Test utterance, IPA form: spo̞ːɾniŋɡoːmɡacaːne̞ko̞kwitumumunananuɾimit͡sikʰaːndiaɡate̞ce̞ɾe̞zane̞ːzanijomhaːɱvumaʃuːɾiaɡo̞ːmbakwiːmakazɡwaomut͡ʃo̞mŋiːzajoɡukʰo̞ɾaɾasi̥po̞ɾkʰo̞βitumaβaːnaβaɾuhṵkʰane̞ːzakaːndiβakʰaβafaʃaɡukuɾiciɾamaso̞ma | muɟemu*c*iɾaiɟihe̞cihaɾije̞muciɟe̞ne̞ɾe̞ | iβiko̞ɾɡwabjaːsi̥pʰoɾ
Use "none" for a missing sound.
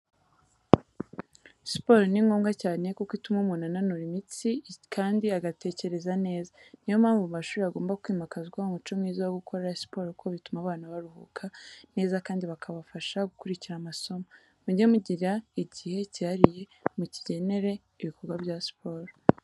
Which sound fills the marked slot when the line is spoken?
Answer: ɟ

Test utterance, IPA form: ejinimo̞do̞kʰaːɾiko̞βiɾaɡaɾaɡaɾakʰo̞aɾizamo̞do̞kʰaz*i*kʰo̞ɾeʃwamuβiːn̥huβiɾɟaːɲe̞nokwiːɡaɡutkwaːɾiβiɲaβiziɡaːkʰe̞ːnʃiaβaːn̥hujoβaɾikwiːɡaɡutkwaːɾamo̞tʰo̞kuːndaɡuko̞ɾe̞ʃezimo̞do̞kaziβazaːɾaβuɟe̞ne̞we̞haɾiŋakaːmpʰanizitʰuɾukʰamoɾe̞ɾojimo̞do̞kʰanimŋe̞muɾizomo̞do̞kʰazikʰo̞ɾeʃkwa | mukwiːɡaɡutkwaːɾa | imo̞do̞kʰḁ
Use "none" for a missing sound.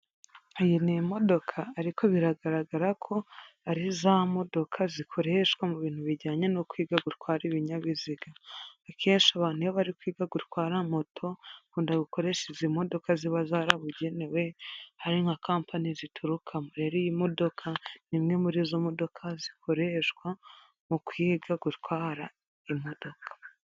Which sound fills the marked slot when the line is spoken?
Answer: i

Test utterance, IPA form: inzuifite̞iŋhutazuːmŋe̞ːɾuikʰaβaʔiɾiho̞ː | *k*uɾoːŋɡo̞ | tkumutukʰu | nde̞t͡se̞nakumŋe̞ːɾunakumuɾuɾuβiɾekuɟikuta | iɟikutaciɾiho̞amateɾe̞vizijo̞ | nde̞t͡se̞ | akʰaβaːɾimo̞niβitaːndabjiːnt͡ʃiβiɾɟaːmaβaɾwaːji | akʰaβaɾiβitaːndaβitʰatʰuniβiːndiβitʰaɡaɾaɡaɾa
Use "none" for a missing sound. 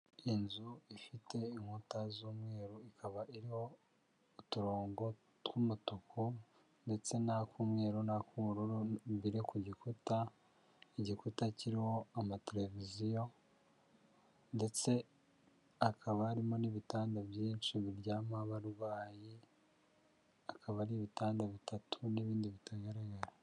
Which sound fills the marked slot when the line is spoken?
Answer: t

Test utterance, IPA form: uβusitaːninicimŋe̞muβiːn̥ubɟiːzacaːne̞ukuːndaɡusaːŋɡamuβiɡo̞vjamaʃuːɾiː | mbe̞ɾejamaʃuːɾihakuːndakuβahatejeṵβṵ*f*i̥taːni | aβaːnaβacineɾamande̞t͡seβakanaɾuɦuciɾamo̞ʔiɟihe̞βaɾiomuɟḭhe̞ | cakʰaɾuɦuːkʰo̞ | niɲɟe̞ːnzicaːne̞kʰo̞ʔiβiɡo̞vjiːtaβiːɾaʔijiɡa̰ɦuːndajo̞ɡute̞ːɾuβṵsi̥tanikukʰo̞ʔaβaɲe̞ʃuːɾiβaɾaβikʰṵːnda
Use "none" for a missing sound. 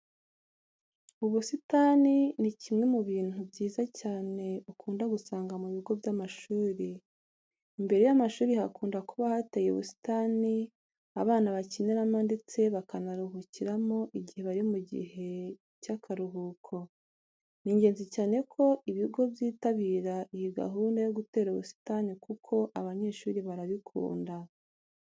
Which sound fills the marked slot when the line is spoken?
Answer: s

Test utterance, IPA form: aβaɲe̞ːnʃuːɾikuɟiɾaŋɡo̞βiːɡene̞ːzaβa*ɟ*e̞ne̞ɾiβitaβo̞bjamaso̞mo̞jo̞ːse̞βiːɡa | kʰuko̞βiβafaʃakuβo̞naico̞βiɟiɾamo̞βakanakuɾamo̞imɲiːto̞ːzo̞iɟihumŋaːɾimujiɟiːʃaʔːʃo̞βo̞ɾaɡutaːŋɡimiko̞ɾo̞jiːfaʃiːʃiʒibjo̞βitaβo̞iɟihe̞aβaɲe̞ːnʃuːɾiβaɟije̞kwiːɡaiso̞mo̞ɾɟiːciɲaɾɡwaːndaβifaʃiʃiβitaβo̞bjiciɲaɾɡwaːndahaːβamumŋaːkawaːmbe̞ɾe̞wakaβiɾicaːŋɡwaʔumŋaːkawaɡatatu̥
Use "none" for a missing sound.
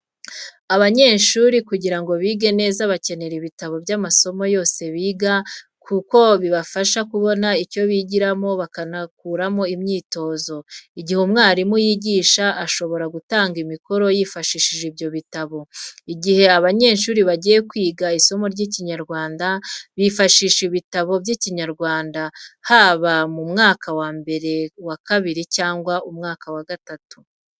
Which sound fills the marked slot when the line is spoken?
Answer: c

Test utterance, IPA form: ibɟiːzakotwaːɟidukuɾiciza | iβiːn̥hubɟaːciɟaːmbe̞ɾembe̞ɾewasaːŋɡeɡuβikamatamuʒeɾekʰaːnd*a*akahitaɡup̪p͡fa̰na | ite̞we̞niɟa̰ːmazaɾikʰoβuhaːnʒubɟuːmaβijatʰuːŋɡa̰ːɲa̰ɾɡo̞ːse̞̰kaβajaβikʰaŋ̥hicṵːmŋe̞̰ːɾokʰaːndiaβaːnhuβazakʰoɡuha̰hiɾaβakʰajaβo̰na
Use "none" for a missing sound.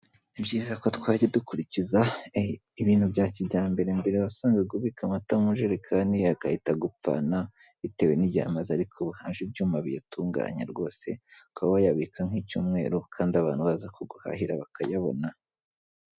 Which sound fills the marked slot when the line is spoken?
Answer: i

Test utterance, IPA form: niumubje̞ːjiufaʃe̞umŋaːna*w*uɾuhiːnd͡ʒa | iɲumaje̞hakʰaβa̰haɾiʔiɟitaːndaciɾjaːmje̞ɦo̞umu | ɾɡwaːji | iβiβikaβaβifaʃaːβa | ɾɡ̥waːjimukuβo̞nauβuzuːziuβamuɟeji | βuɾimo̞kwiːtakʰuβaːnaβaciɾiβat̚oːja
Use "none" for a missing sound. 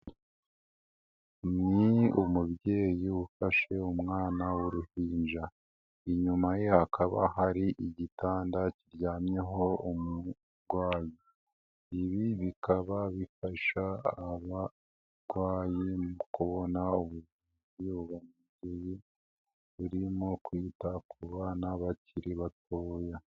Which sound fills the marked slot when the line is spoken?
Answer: w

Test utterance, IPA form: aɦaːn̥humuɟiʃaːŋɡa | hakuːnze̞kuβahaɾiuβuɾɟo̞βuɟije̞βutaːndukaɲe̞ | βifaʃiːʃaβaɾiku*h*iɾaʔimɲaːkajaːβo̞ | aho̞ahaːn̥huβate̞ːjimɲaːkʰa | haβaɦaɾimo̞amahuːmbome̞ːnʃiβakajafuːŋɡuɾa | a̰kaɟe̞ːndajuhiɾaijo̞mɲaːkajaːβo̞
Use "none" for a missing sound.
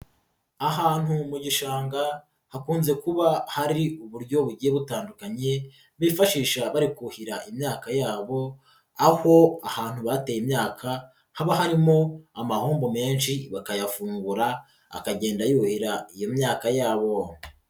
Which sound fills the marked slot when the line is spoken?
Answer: h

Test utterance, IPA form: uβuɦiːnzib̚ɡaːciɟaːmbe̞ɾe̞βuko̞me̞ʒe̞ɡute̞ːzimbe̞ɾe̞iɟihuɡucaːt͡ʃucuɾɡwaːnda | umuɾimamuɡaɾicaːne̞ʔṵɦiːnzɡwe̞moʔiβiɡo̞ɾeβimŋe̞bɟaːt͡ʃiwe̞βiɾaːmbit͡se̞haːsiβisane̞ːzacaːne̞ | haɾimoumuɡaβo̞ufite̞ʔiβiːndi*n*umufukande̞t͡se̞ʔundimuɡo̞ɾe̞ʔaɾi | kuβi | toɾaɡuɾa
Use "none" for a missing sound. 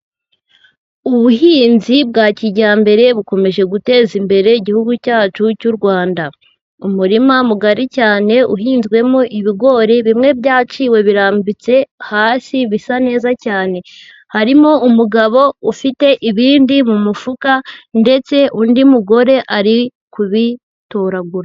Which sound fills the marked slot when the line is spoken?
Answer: m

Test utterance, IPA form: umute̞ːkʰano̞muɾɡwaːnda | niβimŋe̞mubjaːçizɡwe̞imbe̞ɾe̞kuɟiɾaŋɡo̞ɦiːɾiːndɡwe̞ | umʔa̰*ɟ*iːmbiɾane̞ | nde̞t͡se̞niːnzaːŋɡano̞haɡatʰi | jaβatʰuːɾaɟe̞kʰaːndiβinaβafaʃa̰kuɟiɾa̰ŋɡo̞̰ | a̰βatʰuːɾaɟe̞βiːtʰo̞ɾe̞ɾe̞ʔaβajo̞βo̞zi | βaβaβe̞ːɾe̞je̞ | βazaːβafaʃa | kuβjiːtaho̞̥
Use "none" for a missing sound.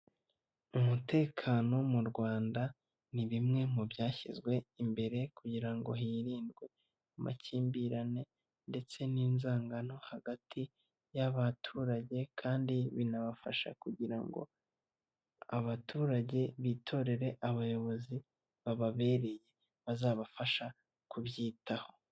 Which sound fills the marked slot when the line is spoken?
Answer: c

